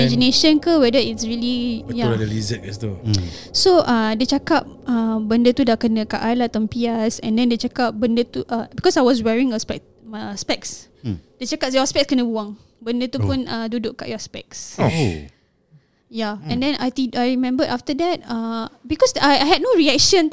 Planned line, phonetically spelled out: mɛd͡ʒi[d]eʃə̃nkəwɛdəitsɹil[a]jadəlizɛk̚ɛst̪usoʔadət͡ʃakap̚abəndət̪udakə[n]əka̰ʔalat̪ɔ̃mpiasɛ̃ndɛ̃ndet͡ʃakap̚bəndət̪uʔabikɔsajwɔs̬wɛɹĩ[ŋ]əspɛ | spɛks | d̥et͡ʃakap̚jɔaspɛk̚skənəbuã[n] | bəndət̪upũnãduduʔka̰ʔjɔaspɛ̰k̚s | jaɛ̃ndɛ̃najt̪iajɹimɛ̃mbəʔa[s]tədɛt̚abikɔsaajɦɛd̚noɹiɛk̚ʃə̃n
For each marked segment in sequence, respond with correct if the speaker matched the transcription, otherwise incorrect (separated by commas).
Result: incorrect, incorrect, correct, correct, incorrect, incorrect